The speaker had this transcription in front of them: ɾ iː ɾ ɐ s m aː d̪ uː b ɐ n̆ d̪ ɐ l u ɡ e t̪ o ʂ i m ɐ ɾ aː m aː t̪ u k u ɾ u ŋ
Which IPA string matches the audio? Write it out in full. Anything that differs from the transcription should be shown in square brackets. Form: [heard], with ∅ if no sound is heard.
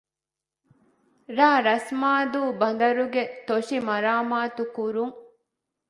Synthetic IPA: ɾ [aː] ɾ ɐ s m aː d̪ uː b ɐ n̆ d̪ ɐ [ɾ] u ɡ e t̪ o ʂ i m ɐ ɾ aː m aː t̪ u k u ɾ u ŋ